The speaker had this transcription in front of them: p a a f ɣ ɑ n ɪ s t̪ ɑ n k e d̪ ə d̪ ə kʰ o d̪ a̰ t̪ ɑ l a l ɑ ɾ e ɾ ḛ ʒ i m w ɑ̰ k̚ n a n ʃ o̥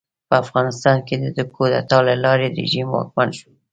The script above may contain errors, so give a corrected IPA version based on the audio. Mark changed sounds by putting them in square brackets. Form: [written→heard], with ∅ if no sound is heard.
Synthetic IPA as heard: p [a→ə] a f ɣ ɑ n ɪ s t̪ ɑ n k e d̪ ə d̪ ə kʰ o d̪ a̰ t̪ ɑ l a l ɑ ɾ e ɾ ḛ ʒ i m w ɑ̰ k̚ [n→m] a n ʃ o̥